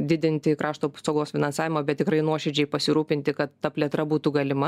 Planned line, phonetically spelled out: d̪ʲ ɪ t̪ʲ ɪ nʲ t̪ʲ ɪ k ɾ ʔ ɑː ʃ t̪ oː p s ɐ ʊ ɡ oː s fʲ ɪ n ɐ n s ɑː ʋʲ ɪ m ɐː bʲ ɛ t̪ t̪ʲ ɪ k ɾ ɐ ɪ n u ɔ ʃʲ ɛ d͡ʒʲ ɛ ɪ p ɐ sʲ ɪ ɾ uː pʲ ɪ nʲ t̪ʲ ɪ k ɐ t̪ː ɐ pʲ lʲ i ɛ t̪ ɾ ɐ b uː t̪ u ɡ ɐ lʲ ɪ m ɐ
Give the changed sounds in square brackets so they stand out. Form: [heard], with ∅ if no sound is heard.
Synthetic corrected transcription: d̪ʲ ɪ [d̪ʲ] ɪ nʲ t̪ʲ ɪ k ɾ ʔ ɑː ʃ t̪ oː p s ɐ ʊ ɡ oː s fʲ ɪ n ɐ n s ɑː ʋʲ ɪ m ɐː bʲ ɛ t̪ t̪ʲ ɪ k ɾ ɐ ɪ n u ɔ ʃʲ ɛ d͡ʒʲ ɛ ɪ p ɐ sʲ ɪ ɾ uː pʲ ɪ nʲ t̪ʲ ɪ k ɐ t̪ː ɐ pʲ lʲ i ɛ t̪ ɾ ɐ b uː t̪ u ɡ ɐ lʲ ɪ m ɐ